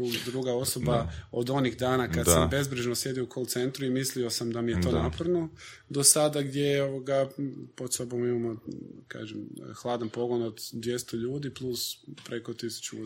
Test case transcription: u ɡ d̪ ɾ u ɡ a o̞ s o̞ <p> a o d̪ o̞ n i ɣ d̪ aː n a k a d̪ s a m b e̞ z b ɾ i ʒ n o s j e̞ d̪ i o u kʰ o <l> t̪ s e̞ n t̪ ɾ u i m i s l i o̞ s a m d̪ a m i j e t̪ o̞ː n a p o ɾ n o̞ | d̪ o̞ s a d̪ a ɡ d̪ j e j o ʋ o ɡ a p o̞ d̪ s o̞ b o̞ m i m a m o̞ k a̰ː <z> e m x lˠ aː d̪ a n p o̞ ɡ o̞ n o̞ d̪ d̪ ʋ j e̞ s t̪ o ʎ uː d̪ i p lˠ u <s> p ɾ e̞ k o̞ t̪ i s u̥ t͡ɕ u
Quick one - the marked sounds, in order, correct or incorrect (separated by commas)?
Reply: incorrect, correct, incorrect, correct